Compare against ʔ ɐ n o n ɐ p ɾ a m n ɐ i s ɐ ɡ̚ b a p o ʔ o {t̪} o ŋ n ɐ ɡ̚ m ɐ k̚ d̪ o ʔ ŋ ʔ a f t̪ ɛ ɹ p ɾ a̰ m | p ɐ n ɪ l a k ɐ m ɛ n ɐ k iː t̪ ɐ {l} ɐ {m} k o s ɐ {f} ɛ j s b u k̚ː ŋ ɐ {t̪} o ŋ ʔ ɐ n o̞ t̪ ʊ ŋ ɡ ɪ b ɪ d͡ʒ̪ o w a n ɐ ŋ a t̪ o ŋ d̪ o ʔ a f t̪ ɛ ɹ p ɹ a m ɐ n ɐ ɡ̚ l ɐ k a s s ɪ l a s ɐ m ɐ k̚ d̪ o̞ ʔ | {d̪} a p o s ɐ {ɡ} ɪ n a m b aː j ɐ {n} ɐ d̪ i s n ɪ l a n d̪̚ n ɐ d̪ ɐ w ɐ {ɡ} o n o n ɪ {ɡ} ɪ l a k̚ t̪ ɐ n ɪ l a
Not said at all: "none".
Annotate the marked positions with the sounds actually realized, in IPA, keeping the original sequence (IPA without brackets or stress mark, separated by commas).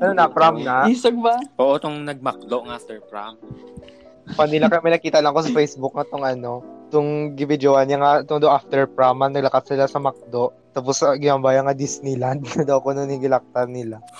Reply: t̪, l, ŋ, f, t̪, t̪, ɡ, ŋ, k, ɡ